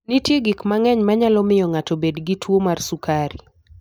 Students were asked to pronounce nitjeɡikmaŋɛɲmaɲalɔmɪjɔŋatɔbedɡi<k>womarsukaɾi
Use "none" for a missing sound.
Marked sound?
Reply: t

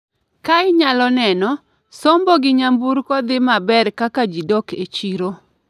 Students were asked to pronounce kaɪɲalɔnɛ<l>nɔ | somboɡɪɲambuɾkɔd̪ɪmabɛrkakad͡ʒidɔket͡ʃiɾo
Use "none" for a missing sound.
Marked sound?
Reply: none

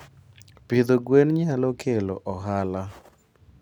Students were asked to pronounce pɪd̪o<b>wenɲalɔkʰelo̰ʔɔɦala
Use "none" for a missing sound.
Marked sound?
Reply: ɡ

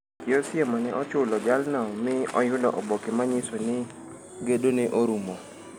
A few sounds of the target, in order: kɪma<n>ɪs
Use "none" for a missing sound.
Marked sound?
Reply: ɲ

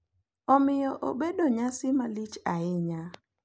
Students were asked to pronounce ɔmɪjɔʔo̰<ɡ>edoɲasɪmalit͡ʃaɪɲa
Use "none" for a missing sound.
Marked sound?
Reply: b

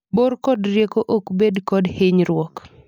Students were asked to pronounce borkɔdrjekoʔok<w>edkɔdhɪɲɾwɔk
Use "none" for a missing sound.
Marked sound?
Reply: b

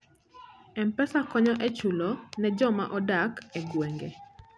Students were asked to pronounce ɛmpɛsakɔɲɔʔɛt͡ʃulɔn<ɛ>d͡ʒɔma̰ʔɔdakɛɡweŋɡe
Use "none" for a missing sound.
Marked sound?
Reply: ɛ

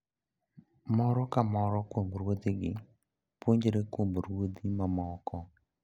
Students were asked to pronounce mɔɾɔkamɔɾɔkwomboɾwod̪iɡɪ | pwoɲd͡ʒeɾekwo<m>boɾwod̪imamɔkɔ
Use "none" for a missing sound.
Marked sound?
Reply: m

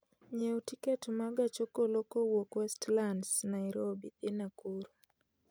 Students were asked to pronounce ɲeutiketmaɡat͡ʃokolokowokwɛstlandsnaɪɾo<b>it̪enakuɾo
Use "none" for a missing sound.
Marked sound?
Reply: b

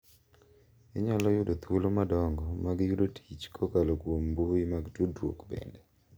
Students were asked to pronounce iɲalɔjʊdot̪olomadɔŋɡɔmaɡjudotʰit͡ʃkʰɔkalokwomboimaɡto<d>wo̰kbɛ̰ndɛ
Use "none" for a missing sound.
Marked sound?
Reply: d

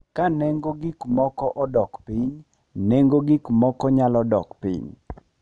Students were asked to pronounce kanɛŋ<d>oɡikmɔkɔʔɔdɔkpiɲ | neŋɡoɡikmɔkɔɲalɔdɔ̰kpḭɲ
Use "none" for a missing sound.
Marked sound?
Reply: ɡ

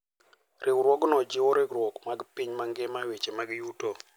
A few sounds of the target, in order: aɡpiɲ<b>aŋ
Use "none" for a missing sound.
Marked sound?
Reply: m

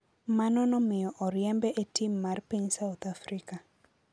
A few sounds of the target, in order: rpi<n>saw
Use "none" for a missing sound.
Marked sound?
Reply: ɲ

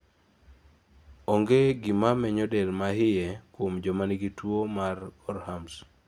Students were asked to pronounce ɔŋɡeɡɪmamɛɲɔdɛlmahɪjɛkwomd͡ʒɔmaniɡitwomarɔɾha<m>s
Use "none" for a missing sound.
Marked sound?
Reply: m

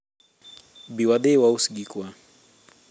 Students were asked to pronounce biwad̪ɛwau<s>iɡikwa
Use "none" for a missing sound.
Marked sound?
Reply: s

